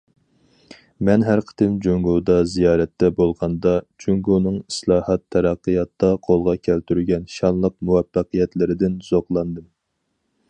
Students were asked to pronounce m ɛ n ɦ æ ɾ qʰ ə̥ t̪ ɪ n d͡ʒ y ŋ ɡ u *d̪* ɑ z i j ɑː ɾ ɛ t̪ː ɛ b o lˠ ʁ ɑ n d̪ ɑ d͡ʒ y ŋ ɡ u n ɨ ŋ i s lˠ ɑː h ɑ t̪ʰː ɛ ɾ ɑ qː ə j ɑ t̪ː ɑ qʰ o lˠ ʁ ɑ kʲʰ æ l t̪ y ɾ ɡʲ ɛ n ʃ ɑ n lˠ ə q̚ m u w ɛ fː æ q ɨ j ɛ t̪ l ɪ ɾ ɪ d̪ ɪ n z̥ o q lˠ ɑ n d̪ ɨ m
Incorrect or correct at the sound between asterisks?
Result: correct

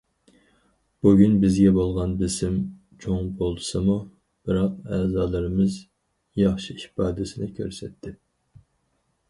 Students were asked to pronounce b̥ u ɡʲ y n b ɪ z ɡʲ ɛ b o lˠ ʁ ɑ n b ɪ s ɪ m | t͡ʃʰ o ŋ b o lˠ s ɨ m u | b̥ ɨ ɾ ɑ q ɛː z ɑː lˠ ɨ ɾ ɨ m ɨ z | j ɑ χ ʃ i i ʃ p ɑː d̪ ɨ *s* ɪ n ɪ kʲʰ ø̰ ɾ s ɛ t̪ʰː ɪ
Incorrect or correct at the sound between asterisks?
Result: correct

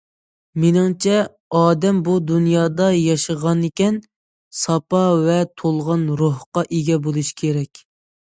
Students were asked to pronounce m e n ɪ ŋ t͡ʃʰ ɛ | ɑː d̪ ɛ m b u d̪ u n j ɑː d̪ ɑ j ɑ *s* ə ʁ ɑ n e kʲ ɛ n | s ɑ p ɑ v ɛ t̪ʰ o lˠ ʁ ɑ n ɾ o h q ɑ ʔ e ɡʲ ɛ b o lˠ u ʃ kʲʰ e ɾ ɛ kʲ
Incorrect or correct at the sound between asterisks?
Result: incorrect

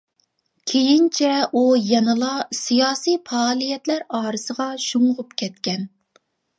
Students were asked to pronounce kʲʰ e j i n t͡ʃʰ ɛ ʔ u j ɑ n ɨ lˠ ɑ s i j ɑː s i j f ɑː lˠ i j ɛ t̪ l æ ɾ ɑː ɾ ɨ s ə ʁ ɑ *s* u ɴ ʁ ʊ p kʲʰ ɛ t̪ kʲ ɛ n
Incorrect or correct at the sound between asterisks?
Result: incorrect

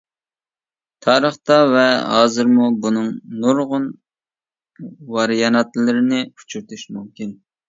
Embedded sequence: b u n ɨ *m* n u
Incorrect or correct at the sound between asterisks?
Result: incorrect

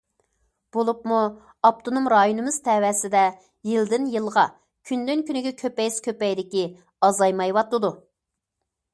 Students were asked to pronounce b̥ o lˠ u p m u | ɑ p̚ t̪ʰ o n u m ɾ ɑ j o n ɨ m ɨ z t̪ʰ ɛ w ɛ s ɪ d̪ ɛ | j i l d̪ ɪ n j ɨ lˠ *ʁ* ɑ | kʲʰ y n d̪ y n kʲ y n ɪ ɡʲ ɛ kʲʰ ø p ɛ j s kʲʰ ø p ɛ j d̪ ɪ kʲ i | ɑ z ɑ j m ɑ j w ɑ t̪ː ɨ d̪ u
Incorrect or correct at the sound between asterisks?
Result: correct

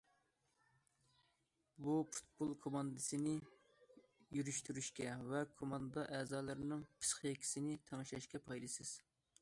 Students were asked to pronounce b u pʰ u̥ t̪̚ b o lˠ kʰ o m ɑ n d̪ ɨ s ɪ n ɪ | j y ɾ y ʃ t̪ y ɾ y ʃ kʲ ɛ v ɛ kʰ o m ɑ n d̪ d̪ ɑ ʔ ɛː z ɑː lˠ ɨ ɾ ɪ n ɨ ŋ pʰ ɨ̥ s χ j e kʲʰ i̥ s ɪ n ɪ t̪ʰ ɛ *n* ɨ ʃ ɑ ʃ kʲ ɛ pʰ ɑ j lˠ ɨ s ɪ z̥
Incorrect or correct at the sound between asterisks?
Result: incorrect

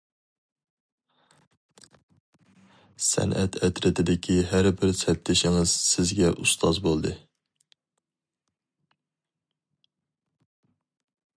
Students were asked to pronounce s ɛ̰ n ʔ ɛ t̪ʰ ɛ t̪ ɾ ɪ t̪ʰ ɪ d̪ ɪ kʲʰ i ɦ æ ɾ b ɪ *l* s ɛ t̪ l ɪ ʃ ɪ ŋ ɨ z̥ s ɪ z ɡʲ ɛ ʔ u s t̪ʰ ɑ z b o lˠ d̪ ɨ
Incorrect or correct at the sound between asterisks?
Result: incorrect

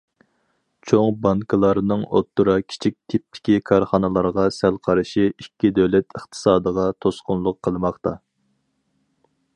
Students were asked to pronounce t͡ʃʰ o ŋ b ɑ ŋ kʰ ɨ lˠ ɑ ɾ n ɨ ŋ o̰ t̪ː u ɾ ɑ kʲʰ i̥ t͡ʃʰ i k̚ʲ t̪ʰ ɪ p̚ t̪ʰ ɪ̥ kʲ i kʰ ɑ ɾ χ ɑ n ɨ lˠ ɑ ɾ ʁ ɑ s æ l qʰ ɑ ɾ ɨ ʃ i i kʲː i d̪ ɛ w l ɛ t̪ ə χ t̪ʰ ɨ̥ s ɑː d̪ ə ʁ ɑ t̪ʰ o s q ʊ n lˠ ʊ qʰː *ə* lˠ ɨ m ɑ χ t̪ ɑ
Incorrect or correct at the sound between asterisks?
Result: correct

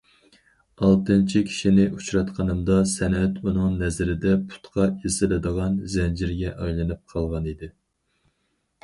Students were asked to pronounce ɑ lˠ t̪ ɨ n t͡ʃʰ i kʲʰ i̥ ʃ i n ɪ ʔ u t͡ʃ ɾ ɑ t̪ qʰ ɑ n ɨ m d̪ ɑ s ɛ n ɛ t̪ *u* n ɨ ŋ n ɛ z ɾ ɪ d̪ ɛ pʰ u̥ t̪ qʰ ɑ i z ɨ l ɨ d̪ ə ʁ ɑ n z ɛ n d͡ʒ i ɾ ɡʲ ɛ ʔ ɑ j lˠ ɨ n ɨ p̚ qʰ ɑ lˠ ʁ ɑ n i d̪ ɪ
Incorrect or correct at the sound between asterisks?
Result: correct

